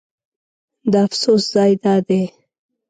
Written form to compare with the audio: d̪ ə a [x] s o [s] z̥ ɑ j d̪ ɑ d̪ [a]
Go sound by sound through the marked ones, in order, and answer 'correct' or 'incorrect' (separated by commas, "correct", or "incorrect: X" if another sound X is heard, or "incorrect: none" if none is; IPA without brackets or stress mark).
incorrect: f, correct, incorrect: e